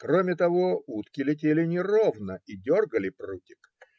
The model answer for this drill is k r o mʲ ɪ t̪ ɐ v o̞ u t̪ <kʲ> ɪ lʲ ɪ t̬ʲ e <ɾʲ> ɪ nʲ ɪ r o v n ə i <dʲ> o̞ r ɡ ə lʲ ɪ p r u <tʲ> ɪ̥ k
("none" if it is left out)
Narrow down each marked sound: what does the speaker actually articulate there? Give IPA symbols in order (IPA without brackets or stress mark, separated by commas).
kʲ, lʲ, dʲ, tʲ